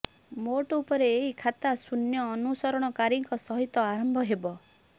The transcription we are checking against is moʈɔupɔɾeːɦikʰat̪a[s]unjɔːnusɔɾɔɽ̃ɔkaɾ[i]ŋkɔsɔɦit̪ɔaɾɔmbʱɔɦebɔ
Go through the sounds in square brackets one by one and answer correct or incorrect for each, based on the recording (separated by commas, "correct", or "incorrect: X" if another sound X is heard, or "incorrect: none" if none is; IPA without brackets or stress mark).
correct, correct